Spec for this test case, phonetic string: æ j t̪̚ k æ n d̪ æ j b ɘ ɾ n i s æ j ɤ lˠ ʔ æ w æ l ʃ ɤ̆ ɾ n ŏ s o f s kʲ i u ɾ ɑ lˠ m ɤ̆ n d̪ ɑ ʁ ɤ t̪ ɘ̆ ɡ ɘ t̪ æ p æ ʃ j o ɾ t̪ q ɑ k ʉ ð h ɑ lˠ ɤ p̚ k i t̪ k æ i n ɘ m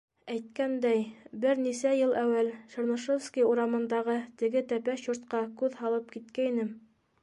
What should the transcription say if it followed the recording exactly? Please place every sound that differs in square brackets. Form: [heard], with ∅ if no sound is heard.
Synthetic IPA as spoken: æ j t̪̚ k æ n d̪ æ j b ɘ ɾ n i s æ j ɤ lˠ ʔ æ w æ l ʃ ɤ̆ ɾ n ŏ [ʃ] o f s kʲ i u ɾ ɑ [∅] m ɤ̆ n d̪ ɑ ʁ ɤ t̪ ɘ̆ ɡ ɘ t̪ æ p æ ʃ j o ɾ t̪ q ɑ k ʉ ð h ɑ lˠ ɤ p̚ k i t̪ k æ i n ɘ m

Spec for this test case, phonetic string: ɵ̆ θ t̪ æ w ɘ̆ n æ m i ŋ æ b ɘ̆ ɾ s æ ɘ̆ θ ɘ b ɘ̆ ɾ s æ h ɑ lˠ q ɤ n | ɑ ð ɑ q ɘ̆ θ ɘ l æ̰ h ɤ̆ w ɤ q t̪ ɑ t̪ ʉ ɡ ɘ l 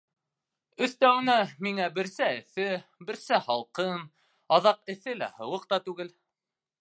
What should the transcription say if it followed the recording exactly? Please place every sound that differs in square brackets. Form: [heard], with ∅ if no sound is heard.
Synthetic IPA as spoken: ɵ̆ θ t̪ æ w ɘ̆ n æ m i ŋ æ b ɘ̆ ɾ s æ ɘ̆ θ ɘ b ɘ̆ ɾ s æ h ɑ lˠ q ɤ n | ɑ ð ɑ q ɘ̆ θ ɘ l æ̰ h ɤ̆ w ɤ q t̪ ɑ t̪ ʉ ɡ ɘ l

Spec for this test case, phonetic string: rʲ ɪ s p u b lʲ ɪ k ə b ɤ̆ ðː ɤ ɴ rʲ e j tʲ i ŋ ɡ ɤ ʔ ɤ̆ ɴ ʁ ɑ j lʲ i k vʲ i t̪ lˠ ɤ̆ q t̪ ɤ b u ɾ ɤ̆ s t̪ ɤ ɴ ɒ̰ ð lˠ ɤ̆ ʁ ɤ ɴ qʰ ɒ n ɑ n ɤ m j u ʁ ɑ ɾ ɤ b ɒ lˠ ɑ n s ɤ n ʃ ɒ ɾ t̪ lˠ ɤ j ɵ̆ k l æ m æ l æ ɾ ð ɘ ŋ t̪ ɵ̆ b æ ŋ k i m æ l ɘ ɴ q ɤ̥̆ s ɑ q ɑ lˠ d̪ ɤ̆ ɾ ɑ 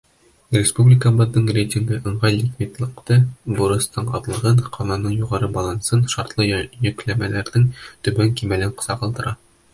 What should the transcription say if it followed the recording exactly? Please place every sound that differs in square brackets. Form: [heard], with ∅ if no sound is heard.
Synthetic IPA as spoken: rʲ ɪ s p u b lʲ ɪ k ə b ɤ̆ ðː ɤ ɴ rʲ e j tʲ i ŋ ɡ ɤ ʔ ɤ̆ ɴ ʁ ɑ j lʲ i k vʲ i t̪ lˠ ɤ̆ q t̪ ɤ b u ɾ ɤ̆ s t̪ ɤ ɴ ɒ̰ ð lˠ ɤ̆ ʁ ɤ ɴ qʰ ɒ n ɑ n ɤ [ɴ] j u ʁ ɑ ɾ ɤ b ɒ lˠ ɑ n s ɤ n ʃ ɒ ɾ t̪ lˠ ɤ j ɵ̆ k l æ m æ l æ ɾ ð ɘ ŋ t̪ ɵ̆ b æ ŋ k i m æ l ɘ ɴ q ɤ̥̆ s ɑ q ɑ lˠ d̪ ɤ̆ ɾ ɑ

